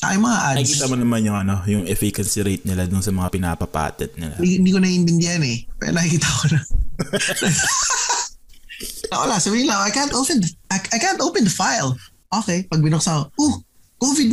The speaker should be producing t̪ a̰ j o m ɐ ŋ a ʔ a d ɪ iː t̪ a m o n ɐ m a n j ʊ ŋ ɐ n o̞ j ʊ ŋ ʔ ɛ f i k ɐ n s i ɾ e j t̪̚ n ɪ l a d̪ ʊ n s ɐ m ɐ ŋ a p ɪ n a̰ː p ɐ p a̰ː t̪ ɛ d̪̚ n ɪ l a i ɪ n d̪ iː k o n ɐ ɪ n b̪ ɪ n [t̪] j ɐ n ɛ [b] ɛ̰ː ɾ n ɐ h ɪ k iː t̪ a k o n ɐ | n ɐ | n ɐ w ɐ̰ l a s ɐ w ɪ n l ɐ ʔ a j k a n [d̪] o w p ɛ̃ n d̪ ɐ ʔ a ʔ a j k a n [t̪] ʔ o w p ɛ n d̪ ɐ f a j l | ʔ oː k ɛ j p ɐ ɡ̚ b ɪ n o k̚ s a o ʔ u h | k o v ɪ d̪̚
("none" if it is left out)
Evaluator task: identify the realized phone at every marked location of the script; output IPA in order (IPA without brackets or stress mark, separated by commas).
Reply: d̪, p, t̪, t̪